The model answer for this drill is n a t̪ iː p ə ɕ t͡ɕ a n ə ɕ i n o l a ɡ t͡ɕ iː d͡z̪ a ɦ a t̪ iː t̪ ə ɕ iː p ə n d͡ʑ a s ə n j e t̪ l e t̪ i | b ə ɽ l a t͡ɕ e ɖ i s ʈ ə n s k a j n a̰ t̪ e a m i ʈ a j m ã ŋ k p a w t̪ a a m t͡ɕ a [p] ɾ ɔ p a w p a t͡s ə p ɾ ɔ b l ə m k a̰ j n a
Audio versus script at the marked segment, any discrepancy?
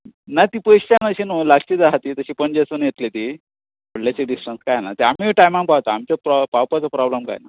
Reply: no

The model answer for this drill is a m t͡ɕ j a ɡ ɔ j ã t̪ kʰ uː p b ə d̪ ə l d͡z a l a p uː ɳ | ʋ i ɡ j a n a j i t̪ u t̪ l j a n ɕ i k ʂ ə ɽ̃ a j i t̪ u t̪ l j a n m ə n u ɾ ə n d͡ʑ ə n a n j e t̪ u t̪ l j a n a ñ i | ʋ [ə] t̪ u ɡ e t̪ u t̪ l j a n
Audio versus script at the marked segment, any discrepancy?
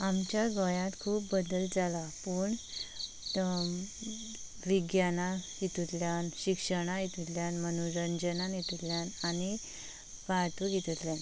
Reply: yes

